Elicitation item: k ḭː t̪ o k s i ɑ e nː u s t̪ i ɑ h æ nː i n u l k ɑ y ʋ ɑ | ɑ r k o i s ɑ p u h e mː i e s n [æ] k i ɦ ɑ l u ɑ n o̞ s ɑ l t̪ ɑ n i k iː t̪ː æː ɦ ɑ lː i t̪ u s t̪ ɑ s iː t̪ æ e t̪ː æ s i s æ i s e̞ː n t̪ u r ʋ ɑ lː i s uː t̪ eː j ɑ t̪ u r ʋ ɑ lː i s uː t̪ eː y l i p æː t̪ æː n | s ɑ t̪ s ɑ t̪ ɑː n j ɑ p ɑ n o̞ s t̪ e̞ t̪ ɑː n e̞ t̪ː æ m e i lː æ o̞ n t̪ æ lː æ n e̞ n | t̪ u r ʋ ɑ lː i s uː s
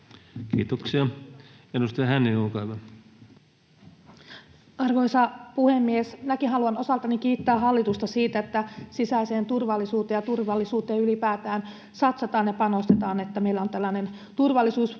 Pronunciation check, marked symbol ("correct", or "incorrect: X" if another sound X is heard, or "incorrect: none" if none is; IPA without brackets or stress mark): correct